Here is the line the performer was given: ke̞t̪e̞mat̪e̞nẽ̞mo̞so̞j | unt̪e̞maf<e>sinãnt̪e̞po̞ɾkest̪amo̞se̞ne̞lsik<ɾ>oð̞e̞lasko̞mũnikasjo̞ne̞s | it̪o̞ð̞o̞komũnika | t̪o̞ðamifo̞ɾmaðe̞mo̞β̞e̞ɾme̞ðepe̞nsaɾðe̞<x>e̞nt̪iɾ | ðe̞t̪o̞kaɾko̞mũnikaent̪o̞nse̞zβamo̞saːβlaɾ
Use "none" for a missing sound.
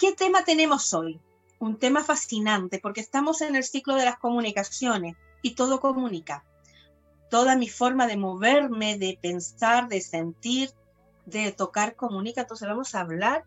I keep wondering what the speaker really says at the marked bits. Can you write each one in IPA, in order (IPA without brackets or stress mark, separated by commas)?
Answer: a, l, s